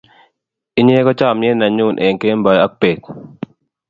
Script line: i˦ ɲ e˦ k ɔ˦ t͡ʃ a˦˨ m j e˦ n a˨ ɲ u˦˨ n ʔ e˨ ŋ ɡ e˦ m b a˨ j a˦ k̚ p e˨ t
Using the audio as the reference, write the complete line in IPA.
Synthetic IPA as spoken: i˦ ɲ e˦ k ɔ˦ t͡ʃ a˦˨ m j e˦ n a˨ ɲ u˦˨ n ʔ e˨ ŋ k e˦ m b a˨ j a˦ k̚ p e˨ k